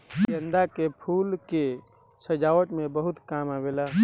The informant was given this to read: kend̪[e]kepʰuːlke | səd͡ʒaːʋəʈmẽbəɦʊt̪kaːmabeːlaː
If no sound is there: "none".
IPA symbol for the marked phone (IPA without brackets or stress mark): a